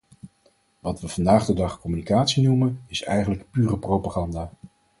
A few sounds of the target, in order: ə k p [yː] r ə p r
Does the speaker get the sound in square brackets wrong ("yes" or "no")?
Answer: no